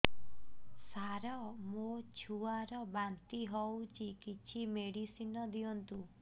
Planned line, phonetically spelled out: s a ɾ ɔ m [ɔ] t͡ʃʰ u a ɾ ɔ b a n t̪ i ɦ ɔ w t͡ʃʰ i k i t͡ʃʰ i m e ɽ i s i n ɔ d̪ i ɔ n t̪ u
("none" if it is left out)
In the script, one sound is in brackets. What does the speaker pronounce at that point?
o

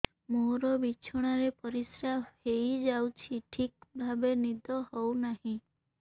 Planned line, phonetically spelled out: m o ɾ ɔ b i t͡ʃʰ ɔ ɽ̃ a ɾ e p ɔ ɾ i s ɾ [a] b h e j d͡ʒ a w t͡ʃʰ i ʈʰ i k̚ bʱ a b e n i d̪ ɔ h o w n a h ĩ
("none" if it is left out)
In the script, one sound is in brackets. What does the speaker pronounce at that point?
a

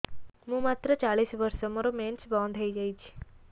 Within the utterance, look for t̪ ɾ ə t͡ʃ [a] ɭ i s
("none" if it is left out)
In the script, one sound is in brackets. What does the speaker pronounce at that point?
a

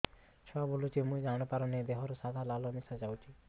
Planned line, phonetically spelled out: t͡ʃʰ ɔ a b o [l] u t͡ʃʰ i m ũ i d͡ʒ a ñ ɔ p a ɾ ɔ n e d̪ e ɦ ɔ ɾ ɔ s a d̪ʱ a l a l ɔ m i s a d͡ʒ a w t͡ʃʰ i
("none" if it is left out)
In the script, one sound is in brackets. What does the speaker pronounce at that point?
l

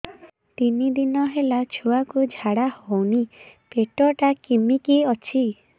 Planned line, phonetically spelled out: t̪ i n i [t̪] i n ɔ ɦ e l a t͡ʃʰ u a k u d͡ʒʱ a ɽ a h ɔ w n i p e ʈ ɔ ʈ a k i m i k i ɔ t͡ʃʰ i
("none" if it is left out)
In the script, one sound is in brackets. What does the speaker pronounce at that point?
d̪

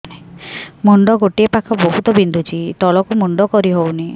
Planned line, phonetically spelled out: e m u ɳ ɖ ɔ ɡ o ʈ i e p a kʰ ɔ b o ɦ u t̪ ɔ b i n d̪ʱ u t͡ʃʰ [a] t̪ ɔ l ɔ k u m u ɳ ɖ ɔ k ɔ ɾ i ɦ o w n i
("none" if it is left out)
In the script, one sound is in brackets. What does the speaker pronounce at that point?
i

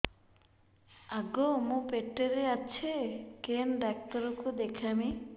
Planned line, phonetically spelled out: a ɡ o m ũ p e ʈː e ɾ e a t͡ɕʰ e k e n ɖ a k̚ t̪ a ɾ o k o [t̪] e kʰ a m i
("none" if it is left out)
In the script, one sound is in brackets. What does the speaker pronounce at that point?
d̪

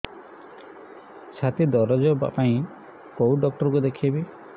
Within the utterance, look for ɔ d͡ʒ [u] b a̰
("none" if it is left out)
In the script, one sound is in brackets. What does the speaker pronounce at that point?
ɔ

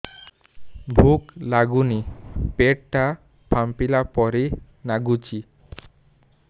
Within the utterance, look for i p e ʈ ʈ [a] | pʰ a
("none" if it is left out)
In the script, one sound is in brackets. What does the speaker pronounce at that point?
a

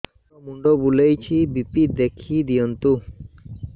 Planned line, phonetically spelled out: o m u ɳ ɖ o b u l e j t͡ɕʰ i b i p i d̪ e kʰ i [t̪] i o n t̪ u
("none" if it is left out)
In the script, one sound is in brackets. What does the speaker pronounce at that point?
d̪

